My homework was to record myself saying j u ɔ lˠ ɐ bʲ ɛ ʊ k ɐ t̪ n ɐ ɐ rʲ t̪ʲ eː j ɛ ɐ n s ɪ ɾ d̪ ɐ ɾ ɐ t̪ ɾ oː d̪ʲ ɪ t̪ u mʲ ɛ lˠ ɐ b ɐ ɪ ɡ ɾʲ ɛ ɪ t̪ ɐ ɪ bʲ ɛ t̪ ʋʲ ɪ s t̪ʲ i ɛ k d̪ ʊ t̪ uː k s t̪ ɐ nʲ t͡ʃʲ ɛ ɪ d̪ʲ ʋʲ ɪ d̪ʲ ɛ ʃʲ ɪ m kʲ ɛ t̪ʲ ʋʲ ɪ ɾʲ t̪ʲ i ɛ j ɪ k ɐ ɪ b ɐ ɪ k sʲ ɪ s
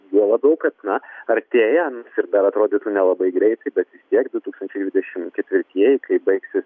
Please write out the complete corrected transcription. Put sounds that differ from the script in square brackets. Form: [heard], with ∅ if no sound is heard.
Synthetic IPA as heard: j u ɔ lˠ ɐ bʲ ɛ ʊ k ɐ t̪ n ɐ ɐ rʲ t̪ʲ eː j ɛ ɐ n s ɪ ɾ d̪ ɐ ɾ ɐ t̪ ɾ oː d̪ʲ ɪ t̪ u [nʲ] ɛ lˠ ɐ b ɐ ɪ ɡ ɾʲ ɛ ɪ t̪ ɐ ɪ bʲ ɛ t̪ ʋʲ ɪ s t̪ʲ i ɛ k d̪ ʊ t̪ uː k s t̪ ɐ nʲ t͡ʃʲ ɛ ɪ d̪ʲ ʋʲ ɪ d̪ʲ ɛ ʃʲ ɪ m kʲ ɛ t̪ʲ ʋʲ ɪ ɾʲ t̪ʲ i ɛ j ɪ k ɐ ɪ b ɐ ɪ k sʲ ɪ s